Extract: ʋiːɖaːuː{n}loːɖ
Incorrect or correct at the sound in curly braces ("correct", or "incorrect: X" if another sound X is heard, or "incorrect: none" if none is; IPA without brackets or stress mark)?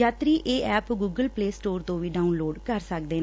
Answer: correct